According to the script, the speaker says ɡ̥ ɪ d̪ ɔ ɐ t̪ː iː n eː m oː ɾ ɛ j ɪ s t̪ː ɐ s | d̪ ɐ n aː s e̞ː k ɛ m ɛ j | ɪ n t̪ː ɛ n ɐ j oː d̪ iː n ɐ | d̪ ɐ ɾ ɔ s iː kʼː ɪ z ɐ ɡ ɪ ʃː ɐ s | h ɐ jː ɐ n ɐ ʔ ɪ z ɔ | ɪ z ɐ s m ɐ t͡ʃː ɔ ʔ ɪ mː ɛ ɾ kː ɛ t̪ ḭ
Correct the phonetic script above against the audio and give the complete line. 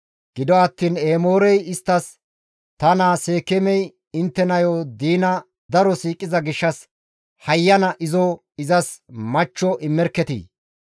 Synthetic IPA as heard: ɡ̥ ɪ d̪ ɔ ɐ t̪ː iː n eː m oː ɾ ɛ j ɪ s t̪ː ɐ s | t̪ ɐ n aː s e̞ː k ɛ m ɛ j | ɪ n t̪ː ɛ n ɐ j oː d̪ iː n ɐ | d̪ ɐ ɾ ɔ s iː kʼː ɪ z ɐ ɡ ɪ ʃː ɐ s | h ɐ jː ɐ n ɐ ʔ ɪ z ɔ | ɪ z ɐ s m ɐ t͡ʃː ɔ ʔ ɪ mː ɛ ɾ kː ɛ t̪ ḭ